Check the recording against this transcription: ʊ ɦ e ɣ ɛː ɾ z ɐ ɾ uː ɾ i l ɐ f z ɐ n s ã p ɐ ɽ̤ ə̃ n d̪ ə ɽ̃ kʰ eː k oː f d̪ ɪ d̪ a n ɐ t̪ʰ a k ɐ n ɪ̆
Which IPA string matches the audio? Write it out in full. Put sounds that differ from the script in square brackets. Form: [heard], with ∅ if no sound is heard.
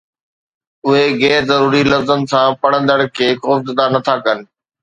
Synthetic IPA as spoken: ʊ ɦ e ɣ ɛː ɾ z ɐ ɾ uː ɾ i l ɐ f z [ə] n s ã p ɐ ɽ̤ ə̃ n d̪ ə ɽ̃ kʰ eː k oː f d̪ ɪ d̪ a n ɐ t̪ʰ a k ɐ n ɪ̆